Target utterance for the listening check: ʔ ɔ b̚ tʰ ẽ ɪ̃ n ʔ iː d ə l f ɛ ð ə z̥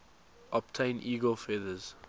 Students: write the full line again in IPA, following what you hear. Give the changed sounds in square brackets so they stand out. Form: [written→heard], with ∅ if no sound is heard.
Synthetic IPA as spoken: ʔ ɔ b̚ tʰ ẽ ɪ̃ n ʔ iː [d→ɡ] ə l f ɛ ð ə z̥